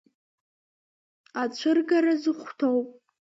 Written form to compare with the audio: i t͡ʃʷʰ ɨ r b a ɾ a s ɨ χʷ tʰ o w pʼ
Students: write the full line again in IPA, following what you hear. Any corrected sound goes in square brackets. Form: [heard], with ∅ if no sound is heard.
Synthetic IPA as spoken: [a] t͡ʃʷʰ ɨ r [ɡ] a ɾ a [z] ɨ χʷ tʰ o w pʼ